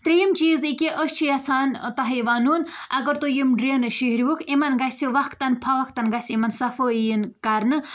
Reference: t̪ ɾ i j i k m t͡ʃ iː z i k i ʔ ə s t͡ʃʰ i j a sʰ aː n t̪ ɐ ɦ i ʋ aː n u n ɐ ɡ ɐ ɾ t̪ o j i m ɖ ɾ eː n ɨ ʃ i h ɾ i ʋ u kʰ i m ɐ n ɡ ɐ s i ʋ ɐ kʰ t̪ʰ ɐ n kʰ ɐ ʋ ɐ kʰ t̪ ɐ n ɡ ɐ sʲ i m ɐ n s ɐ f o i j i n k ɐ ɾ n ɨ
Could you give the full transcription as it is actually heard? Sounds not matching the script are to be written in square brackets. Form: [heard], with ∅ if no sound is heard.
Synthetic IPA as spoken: t̪ ɾ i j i [∅] m t͡ʃ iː z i k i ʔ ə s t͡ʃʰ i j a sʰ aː n t̪ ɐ ɦ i ʋ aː n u n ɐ ɡ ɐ ɾ t̪ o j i m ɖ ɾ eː n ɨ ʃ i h ɾ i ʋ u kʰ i m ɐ n ɡ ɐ s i ʋ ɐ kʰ [t̪] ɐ n [pʰ] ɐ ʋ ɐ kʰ t̪ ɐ n ɡ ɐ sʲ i m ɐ n s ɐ f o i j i n k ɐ ɾ n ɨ